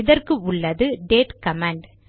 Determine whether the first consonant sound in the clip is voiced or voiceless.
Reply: voiced